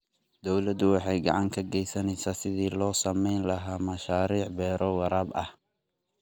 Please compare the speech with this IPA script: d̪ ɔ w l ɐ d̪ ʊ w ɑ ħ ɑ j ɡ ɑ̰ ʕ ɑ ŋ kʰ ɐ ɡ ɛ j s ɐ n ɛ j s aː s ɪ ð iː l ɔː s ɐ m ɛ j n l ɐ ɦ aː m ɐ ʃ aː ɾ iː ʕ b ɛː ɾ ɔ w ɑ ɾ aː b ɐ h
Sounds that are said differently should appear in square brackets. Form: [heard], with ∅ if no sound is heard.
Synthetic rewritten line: d̪ ɔ w l ɐ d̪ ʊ w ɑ ħ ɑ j ɡ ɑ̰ ʕ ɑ ŋ kʰ ɐ ɡ ɛ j s ɐ n ɛ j s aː s ɪ ð iː l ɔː s ɐ m ɛ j n l ɐ ɦ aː m ɐ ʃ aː ɾ iː ʕ b ɛː ɾ ɔ w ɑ ɾ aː b ɐ h